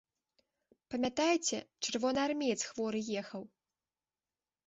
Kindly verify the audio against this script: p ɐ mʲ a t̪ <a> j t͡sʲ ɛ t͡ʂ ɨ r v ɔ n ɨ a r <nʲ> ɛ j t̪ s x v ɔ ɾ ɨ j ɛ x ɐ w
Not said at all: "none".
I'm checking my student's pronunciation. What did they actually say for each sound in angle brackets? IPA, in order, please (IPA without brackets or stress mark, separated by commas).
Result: a, mʲ